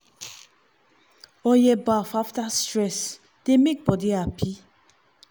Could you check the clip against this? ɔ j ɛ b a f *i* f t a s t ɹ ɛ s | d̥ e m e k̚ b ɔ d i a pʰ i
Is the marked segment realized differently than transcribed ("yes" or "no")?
yes